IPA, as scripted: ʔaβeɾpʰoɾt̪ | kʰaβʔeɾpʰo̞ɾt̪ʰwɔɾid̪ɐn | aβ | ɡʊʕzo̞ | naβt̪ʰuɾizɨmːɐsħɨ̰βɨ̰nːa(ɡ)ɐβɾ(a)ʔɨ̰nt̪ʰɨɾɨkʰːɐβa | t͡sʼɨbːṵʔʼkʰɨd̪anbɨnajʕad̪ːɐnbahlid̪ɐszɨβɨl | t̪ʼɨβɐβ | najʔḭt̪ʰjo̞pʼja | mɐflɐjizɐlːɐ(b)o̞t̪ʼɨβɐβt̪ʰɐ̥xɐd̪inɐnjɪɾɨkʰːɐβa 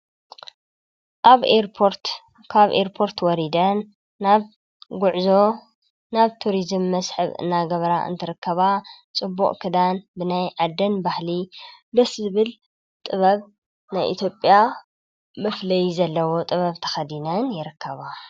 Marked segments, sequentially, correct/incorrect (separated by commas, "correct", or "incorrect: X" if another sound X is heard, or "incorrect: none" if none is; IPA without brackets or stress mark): correct, correct, incorrect: w